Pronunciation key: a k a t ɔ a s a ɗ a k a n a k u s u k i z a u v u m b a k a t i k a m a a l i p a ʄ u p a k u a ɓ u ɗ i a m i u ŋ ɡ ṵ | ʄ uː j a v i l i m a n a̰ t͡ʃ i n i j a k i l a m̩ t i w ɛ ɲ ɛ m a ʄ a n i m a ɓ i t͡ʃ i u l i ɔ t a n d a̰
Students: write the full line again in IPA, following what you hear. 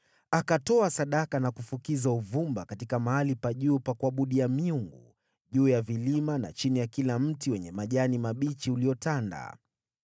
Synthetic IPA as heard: a k a t ɔ a s a ɗ a k a n a k u f u k i z a u v u m b a k a t i k a m a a l i p a ʄ uː p a k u a ɓ u ɗ i a m i u ŋ ɡ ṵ | ʄ uː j a v i l i m a n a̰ t͡ʃ i n i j a k i l a m̩ t i w ɛ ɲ ɛ m a ʄ a n i m a ɓ i t͡ʃ i u l i ɔ t a n d a̰